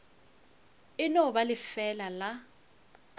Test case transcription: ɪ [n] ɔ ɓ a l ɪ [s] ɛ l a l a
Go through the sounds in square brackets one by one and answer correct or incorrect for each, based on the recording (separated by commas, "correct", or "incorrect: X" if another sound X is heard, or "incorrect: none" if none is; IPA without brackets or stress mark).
correct, incorrect: f